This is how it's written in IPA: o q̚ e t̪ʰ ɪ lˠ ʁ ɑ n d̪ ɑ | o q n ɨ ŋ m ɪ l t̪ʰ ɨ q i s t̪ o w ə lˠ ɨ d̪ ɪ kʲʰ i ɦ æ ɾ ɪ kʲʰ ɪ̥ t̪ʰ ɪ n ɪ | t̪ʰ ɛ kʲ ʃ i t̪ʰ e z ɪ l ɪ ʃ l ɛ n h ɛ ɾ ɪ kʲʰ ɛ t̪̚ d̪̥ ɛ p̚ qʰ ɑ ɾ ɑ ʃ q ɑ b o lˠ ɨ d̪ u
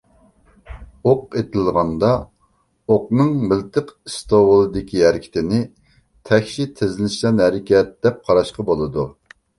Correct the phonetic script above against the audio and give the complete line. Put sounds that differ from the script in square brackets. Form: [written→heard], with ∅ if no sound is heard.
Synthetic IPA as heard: o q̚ e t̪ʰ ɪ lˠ ʁ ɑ n d̪ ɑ | o q n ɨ ŋ m ɪ l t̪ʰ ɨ q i s t̪ o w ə lˠ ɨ d̪ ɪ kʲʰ i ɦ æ ɾ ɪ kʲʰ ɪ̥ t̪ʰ ɪ n ɪ | t̪ʰ ɛ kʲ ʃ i t̪ʰ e z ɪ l ɪ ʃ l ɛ n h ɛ ɾ ɪ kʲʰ ɛ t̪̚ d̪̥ ɛ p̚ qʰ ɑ ɾ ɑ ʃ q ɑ b o lˠ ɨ d̪ u